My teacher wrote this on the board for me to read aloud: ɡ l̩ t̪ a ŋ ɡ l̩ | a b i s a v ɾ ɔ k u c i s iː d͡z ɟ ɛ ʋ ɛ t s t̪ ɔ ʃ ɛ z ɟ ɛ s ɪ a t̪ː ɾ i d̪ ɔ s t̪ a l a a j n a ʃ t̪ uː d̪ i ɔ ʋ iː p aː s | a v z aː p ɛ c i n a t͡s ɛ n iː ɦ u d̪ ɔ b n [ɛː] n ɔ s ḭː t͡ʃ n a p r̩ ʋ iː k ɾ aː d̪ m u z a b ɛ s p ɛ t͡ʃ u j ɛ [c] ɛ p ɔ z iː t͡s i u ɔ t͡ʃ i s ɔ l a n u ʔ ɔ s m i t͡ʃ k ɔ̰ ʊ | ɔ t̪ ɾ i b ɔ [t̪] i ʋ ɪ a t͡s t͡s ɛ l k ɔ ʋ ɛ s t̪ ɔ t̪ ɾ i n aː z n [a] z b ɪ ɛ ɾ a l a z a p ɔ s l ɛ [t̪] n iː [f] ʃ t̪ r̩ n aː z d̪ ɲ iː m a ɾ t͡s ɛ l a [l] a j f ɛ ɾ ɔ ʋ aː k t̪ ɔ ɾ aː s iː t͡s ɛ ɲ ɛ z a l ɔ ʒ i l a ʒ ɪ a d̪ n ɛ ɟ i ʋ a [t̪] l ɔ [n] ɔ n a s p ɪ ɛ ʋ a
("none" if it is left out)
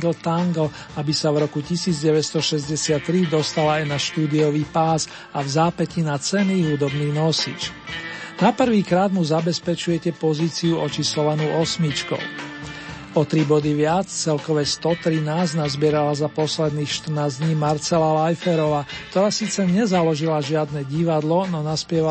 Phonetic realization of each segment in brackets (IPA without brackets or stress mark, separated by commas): iː, c, d̪, a, d̪, x, l, d̪, n